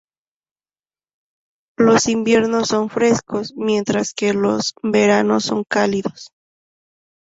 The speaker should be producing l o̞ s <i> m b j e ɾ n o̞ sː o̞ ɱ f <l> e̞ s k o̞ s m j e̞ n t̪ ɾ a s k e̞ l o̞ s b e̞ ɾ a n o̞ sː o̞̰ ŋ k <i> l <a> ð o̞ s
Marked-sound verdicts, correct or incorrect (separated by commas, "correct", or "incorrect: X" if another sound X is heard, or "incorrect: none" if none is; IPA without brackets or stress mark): correct, incorrect: ɾ, incorrect: a, incorrect: i